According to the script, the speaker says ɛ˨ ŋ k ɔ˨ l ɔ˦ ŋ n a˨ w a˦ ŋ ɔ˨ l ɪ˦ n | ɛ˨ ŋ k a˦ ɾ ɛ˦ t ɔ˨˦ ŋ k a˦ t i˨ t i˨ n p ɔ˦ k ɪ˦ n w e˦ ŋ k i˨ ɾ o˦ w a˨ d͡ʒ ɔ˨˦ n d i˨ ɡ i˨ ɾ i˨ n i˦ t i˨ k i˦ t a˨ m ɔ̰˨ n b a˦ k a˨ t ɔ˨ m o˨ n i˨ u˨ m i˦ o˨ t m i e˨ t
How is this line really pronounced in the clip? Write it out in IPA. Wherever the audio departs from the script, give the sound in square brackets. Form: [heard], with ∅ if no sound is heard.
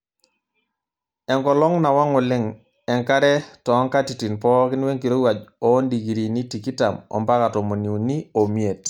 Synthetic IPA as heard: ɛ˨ ŋ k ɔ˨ l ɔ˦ ŋ n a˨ w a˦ ŋ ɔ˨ l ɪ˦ [ŋ] | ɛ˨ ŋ k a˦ ɾ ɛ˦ t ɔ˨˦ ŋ k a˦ t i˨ t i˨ n p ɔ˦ k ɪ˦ n w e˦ ŋ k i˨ ɾ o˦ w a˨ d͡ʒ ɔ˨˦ n d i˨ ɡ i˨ ɾ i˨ n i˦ t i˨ k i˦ t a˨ m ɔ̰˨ [m] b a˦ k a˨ t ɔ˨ m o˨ n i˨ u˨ [n] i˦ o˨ [∅] m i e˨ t